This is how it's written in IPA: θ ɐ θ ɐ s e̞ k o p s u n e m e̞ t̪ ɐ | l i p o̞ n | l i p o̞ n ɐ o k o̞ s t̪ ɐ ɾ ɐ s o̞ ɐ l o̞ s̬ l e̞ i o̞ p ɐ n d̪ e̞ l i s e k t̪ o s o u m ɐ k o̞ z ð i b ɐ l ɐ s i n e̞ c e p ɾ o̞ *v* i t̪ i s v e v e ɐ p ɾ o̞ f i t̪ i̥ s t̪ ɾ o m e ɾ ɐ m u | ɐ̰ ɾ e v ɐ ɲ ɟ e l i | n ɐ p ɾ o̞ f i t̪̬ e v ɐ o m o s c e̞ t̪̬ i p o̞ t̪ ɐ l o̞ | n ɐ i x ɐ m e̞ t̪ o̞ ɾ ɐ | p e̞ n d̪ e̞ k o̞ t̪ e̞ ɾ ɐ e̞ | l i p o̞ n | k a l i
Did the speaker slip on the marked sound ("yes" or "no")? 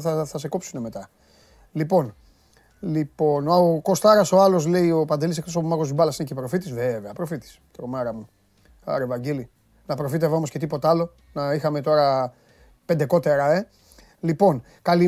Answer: yes